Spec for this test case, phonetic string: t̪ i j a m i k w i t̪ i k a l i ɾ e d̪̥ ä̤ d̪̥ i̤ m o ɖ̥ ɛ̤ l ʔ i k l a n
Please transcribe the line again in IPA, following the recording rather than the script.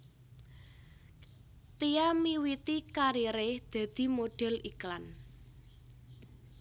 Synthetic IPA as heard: t̪ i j a m i w i t̪ i k a ɾ i ɾ e d̪̥ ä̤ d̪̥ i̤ m o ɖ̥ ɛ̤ l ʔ i k l a n